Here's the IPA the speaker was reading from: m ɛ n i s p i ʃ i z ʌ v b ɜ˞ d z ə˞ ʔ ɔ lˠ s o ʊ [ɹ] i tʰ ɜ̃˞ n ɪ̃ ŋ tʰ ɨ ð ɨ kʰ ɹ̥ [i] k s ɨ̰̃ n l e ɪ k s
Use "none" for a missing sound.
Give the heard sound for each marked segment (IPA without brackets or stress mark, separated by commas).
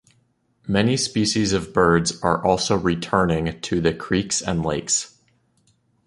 ɹ, i